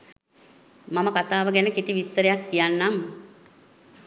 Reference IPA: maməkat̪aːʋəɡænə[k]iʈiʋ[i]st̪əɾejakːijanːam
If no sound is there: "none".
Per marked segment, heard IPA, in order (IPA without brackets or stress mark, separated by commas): k, i